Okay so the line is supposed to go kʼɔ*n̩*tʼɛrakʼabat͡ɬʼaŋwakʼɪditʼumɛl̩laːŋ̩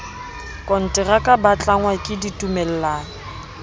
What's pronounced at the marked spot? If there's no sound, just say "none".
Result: n̩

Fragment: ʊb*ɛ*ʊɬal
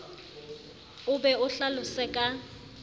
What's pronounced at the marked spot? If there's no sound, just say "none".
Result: ɛ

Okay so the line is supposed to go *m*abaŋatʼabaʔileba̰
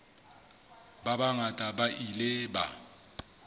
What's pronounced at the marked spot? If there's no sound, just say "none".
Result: b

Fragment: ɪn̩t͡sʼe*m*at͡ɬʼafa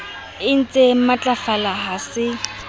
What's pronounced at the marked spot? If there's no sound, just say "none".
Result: m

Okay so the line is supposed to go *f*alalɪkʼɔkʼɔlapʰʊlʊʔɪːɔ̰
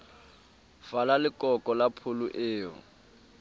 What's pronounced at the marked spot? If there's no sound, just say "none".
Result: f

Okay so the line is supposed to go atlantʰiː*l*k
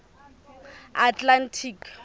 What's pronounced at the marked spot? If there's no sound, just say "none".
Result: none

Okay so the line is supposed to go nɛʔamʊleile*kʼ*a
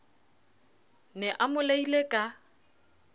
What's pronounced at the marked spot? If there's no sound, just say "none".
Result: kʼ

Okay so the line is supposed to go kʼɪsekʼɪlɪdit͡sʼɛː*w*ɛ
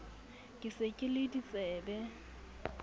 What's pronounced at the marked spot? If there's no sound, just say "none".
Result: b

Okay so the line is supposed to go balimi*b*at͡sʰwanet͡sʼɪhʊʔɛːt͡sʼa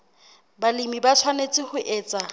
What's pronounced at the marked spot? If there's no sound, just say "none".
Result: b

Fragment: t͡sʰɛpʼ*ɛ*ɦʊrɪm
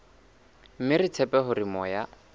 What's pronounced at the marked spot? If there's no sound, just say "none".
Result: ɛ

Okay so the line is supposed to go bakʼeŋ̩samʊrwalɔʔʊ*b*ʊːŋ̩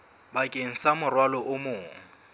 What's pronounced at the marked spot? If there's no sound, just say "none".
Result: m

